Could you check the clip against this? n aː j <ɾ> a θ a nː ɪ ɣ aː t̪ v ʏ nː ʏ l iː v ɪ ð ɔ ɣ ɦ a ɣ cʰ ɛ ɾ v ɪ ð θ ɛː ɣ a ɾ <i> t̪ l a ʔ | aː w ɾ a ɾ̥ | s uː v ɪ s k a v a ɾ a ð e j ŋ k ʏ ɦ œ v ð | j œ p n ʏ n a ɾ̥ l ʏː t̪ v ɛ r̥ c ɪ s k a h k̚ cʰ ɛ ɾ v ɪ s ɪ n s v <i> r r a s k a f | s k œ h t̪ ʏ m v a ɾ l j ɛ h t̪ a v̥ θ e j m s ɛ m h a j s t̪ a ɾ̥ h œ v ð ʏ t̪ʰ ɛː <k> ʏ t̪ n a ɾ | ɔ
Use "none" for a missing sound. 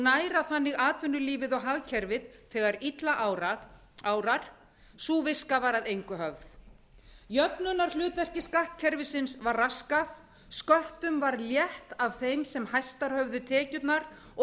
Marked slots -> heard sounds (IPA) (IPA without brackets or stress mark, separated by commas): ɾ, i, a, c